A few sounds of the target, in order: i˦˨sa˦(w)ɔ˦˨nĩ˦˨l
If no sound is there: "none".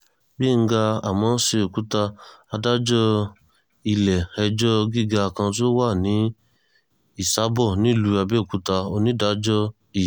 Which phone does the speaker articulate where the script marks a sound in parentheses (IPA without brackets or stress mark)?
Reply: b